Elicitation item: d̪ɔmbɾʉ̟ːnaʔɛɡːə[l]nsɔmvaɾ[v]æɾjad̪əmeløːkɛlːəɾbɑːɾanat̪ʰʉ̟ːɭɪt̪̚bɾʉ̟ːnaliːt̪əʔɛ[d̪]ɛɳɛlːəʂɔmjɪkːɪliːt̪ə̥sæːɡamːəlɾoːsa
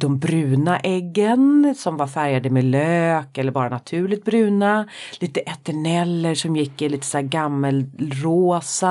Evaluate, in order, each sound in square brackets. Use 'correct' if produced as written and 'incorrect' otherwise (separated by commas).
incorrect, incorrect, incorrect